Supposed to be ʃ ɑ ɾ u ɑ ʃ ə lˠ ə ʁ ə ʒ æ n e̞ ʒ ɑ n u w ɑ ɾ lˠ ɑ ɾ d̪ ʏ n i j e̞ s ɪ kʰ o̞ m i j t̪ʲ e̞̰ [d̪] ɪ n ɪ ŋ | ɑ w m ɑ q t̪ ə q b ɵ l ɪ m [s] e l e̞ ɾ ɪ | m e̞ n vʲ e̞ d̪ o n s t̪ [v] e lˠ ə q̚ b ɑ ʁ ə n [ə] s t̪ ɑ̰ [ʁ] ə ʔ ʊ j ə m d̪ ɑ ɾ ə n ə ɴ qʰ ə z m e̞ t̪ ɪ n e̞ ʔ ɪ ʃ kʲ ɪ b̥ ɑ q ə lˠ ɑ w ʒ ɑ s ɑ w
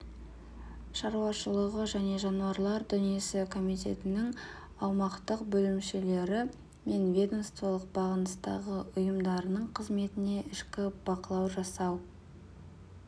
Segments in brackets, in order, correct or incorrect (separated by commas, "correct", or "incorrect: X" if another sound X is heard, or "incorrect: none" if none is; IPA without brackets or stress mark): incorrect: t̪, incorrect: ʃ, correct, correct, correct